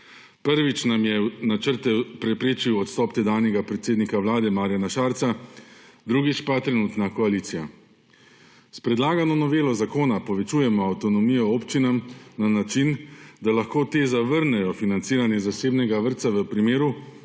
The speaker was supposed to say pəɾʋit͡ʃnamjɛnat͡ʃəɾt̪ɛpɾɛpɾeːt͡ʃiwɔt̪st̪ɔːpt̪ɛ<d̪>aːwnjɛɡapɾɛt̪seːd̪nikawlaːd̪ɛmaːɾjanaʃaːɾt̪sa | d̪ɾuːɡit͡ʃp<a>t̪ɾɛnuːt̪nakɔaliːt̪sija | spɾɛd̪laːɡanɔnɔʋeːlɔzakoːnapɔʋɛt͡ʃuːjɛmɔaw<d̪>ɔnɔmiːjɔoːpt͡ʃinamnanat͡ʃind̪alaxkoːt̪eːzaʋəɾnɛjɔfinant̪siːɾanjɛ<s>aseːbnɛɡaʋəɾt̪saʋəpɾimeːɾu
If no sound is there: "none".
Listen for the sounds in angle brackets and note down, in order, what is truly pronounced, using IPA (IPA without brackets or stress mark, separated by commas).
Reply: d̪, a, t̪, z